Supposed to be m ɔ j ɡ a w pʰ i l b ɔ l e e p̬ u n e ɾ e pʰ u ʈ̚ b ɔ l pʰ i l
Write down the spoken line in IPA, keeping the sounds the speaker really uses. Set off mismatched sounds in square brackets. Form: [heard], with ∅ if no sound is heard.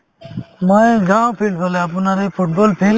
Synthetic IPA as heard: m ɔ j ɡ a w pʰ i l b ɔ l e [a] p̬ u n [a] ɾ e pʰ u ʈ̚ b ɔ l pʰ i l